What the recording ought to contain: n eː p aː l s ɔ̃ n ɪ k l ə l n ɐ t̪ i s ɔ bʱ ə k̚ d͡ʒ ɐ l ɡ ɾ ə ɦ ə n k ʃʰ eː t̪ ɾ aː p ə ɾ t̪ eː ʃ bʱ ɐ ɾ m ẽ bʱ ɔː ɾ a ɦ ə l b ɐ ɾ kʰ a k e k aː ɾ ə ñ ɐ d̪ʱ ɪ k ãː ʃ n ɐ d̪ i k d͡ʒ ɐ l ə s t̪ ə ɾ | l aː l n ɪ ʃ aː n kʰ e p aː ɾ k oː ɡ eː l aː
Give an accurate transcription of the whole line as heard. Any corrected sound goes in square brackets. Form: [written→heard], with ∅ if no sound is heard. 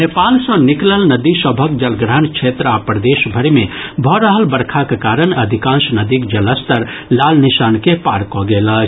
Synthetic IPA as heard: n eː p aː l s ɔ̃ n ɪ k l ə l n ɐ [t̪→d̪] i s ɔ bʱ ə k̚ d͡ʒ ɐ l ɡ ɾ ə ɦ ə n k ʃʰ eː t̪ ɾ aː p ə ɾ [t̪→d̪] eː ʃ bʱ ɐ ɾ m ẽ bʱ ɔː ɾ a ɦ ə l b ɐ ɾ kʰ a k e k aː ɾ ə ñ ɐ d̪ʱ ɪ k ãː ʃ n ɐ d̪ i k d͡ʒ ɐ l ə s t̪ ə ɾ | l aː l n ɪ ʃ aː n [kʰ→k] e p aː ɾ k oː ɡ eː l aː